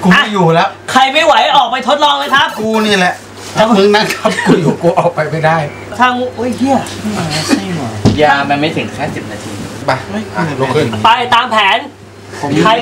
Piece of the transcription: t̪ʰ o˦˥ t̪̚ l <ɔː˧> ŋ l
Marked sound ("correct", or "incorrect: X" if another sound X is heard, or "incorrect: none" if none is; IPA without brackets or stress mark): correct